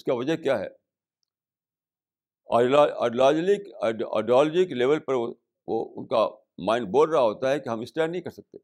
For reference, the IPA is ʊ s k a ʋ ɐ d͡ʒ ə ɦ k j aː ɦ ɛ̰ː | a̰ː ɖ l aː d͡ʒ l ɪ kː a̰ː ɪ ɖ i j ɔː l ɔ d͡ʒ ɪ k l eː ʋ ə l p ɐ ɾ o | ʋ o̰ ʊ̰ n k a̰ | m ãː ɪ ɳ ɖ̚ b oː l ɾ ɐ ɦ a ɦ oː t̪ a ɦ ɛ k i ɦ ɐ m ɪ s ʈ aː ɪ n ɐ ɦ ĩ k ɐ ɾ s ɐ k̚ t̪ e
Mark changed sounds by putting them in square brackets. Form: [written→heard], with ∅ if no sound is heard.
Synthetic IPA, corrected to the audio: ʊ s k a ʋ ɐ d͡ʒ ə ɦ k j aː ɦ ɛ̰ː | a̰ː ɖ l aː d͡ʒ l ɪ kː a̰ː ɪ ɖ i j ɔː l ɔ d͡ʒ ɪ k l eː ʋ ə l p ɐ ɾ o | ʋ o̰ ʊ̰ n k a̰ | m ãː ɪ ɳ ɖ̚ b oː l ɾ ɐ ɦ a ɦ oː t̪ a ɦ ɛ k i ɦ ɐ m ɪ s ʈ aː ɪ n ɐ ɦ ĩ k ɐ ɾ s ɐ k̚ t̪ e